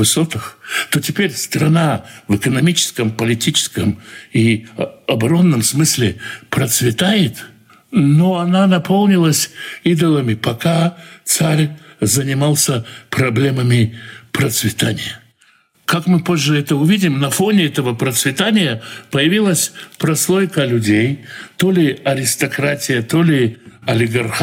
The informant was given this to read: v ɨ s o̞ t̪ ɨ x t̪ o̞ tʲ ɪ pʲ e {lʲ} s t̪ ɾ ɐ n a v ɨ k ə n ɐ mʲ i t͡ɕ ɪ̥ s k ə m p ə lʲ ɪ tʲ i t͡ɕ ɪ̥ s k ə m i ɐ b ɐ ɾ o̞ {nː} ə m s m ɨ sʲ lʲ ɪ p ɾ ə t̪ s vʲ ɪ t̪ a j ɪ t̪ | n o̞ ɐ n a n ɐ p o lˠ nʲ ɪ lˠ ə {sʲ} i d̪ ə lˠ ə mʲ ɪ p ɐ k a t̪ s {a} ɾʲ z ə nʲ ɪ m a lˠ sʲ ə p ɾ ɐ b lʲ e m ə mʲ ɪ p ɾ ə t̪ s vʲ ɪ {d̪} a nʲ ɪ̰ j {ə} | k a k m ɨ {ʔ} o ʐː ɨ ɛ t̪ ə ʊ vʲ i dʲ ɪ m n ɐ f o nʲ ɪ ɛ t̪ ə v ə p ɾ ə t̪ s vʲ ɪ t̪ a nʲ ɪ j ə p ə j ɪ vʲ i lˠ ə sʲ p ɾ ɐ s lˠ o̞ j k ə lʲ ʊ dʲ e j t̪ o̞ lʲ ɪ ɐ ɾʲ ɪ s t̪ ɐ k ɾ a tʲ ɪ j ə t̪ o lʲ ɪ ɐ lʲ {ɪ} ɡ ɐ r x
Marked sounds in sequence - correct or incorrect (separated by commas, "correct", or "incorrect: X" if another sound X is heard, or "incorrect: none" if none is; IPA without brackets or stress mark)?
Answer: incorrect: ɾʲ, correct, correct, correct, incorrect: t̪, correct, incorrect: p, correct